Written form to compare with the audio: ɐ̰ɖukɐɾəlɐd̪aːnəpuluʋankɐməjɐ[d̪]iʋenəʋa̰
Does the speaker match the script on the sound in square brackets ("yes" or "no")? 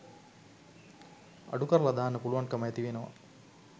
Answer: no